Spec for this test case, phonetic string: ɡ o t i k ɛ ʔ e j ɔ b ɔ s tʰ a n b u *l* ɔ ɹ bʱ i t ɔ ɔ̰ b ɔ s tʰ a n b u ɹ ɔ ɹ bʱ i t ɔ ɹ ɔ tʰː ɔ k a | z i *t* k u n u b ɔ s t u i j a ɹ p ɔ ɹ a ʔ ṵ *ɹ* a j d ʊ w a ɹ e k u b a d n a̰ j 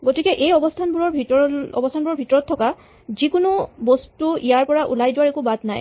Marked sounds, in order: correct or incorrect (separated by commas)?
incorrect, incorrect, incorrect